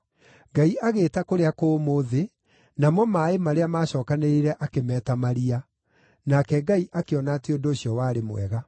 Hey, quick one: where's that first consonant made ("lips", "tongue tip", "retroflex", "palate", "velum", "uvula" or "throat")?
velum